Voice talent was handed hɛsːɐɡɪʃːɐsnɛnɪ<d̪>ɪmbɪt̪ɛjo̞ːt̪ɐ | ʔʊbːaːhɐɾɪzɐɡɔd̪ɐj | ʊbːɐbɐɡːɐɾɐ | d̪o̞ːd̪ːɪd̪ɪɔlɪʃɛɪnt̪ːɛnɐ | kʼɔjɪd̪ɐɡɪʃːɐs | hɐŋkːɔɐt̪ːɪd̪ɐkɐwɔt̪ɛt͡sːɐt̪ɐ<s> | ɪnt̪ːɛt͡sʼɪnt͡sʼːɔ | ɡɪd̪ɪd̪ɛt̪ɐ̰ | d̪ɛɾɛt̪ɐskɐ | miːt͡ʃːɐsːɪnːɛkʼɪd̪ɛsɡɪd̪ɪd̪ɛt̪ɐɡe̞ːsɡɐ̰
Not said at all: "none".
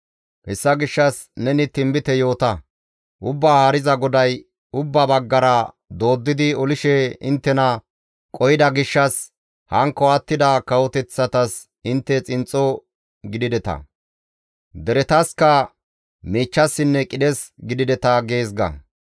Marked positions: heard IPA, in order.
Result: t̪, s

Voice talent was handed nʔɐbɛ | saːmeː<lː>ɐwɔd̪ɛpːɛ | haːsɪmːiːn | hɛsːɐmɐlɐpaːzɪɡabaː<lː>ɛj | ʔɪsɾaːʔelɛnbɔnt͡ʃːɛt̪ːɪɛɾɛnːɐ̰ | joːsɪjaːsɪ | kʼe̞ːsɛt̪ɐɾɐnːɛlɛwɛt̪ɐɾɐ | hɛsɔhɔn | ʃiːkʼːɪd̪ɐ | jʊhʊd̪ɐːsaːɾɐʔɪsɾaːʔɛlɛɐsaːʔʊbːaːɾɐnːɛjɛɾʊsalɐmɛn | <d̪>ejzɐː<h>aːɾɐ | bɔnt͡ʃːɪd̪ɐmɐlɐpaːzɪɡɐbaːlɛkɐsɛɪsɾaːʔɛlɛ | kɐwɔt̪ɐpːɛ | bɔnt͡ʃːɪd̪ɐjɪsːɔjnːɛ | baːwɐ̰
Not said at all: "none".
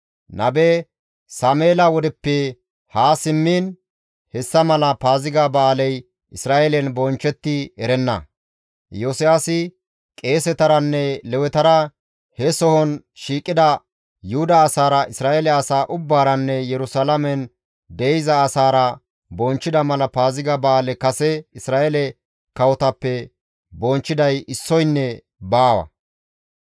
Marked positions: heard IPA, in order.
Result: l, l, d̪, s

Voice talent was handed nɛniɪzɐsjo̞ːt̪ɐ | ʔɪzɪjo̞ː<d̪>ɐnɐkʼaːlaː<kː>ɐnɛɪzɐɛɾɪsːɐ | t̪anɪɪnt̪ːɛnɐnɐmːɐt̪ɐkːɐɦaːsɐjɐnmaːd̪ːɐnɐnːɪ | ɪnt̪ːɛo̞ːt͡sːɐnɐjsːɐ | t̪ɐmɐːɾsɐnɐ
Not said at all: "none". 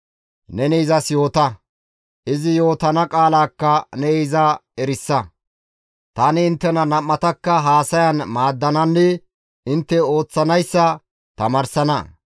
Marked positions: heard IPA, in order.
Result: t̪, kː

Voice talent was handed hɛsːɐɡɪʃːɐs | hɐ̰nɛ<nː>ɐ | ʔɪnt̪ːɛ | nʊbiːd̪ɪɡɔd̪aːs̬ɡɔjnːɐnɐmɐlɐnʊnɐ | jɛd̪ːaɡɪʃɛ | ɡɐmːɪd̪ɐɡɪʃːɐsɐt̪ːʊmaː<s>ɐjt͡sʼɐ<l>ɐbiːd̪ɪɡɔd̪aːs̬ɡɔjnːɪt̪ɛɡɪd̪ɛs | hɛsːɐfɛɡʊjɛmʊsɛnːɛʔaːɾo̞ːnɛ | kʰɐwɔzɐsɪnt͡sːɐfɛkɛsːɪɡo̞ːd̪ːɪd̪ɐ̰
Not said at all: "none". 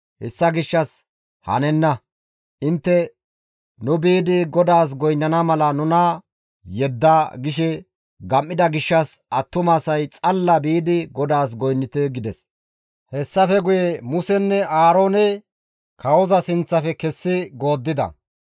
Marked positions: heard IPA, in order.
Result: nː, s, lː

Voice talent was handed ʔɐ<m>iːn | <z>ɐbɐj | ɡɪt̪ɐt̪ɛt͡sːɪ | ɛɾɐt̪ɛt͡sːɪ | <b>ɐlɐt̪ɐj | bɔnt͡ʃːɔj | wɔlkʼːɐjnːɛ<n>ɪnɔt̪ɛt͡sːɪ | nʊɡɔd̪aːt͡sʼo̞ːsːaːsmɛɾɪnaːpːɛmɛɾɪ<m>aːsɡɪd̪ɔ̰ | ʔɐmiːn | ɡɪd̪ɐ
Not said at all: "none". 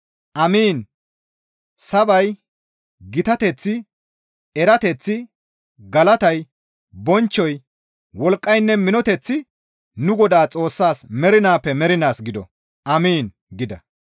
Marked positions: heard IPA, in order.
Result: m, s, ɡ, m, n

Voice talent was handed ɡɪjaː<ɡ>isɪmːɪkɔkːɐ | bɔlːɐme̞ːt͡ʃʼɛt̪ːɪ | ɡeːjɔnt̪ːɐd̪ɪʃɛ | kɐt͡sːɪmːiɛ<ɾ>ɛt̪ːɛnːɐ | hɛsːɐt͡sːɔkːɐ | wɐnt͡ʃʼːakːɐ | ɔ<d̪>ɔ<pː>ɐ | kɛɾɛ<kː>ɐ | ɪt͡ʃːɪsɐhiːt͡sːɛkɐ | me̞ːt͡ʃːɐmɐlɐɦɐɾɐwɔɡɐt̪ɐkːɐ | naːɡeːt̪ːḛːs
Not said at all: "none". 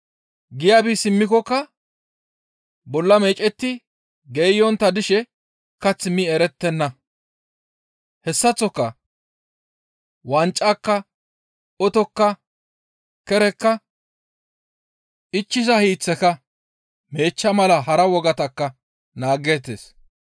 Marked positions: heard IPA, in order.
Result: b, ɾ, t̪, kː, kː

